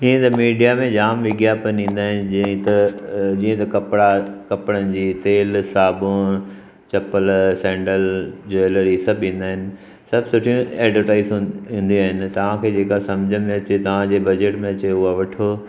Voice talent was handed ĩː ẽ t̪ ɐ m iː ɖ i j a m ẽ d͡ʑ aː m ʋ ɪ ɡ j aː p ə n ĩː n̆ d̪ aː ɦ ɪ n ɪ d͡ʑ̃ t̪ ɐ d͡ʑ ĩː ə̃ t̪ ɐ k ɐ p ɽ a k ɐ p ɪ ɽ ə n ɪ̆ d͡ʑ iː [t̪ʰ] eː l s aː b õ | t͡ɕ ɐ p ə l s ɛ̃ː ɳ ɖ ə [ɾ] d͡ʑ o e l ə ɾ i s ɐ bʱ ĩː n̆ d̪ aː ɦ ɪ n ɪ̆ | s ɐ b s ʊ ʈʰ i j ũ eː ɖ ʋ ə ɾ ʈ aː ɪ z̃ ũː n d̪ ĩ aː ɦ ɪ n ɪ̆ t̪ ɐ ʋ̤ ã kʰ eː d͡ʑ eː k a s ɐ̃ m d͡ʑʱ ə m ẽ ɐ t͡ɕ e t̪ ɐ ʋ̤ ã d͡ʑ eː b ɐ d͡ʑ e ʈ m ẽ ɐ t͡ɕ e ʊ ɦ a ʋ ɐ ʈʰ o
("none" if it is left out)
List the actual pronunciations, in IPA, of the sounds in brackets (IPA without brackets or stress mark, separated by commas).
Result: t̪, l